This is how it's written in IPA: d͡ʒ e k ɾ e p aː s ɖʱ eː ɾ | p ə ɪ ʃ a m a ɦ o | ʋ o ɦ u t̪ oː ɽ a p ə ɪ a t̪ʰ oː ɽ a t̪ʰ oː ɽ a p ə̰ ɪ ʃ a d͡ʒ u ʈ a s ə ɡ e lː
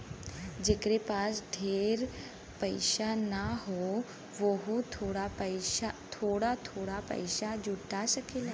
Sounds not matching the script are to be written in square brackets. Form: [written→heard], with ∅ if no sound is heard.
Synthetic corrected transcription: d͡ʒ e k ɾ e p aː s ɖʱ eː ɾ | p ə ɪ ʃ a [m→n] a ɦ o | ʋ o ɦ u [t̪→t̪ʰ] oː ɽ a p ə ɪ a t̪ʰ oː ɽ a t̪ʰ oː ɽ a p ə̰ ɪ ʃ a d͡ʒ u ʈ a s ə [ɡ→k] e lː